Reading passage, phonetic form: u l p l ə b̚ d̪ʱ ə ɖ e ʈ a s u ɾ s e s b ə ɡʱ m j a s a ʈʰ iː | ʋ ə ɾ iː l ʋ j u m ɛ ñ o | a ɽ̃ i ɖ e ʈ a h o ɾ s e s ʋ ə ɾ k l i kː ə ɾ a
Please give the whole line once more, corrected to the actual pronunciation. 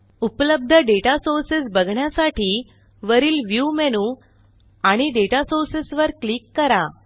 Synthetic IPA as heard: u p l ə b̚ d̪ʱ ə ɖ e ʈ a s o ɾ s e s b ə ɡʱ ɳ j a s a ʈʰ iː | ʋ ə ɾ iː l ʋ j u m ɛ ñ u | a ɽ̃ i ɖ e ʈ a s o ɾ s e s ʋ ə ɾ k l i kː ə ɾ a